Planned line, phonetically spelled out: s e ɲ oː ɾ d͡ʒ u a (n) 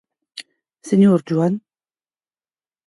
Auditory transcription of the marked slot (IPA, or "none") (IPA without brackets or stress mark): n